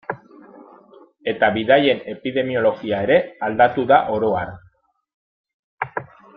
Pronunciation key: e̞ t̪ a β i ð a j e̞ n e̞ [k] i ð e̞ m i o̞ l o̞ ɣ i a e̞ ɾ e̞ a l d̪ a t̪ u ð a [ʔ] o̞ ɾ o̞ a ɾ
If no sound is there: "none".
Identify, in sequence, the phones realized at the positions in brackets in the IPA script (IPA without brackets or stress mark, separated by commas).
p, ʔ